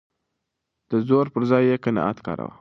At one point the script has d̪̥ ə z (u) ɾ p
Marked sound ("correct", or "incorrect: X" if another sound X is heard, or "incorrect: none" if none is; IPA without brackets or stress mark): incorrect: o